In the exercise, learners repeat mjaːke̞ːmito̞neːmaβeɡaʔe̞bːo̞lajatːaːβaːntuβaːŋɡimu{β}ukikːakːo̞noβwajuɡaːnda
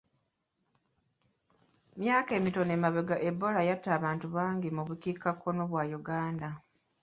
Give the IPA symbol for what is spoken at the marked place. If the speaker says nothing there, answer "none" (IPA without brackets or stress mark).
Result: β